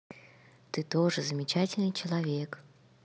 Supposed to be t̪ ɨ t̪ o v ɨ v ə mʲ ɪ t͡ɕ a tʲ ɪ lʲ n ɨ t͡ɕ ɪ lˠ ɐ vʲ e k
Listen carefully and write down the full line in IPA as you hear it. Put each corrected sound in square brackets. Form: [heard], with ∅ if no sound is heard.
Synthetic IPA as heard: t̪ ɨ t̪ o [ʐ] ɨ [z] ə mʲ ɪ t͡ɕ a tʲ ɪ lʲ n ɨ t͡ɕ ɪ lˠ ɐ vʲ e k